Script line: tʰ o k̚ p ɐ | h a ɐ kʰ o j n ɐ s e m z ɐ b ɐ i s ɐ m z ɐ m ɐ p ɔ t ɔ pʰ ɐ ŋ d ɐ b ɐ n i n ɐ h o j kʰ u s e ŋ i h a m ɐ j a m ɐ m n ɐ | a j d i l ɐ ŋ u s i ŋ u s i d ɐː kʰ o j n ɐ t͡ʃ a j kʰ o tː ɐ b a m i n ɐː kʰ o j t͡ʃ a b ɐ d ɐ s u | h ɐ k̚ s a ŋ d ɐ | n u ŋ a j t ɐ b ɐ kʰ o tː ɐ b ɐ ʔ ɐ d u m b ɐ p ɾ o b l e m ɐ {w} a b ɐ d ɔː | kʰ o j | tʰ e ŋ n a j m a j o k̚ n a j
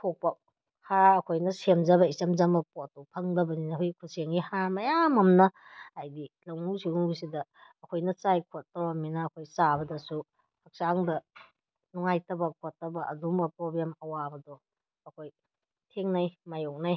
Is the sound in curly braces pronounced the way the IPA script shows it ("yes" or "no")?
yes